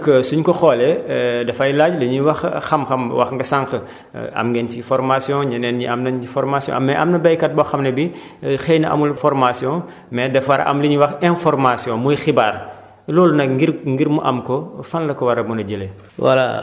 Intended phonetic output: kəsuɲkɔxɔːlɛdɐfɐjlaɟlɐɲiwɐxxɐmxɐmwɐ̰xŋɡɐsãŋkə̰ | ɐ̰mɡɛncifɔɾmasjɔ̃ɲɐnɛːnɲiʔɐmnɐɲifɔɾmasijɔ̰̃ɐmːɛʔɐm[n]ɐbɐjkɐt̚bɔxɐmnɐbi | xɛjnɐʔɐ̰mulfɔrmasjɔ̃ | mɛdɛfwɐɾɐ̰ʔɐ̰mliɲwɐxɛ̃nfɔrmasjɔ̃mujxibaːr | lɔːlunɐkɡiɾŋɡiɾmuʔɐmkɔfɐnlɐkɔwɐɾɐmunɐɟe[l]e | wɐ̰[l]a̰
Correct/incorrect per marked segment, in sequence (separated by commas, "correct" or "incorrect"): correct, correct, correct